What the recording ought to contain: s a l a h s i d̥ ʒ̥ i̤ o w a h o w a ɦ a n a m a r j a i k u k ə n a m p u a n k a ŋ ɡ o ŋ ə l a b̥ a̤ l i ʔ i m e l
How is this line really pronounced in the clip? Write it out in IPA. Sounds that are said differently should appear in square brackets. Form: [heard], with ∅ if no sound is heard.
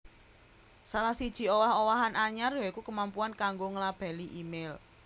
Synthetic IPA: s a l a h s i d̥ ʒ̥ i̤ o w a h o w a ɦ a n a [ɲ] a r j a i k u k ə [m] a m p u a n k a ŋ ɡ o ŋ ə l a b̥ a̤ l i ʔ i m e l